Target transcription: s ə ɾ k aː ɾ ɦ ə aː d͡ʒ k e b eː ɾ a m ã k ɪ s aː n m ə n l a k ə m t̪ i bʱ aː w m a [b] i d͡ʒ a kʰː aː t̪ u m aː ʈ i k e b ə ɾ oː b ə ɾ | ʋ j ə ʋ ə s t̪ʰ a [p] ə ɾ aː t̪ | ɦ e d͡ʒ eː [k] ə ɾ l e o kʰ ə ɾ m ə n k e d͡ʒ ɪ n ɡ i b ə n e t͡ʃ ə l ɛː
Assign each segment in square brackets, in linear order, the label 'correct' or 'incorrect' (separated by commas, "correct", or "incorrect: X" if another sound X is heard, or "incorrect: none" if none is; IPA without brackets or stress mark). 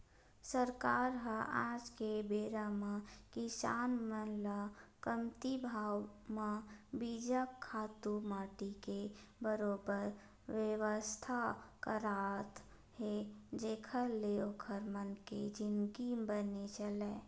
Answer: correct, incorrect: k, incorrect: kʰ